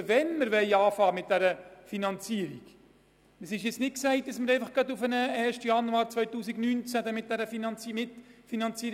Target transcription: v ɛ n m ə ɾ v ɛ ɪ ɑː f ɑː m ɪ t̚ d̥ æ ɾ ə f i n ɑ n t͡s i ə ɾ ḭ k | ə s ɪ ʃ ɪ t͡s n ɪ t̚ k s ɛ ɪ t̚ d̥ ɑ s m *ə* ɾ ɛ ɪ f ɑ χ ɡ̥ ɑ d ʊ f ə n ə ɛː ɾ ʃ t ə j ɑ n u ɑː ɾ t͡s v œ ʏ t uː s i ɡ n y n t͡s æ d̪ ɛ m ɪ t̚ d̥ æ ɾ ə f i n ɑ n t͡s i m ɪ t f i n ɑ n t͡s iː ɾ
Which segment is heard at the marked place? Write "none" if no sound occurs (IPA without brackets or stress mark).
ə